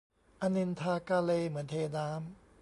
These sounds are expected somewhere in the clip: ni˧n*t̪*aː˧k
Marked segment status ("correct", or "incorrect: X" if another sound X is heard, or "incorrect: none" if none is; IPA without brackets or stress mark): incorrect: t̪ʰ